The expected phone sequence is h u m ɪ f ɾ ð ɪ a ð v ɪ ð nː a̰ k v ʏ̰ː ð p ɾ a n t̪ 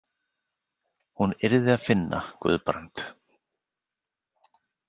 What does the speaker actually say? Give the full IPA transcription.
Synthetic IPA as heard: h u n ɪ ɾ ð ɪ a ð f ɪ nː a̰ k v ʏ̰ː ð p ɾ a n t̪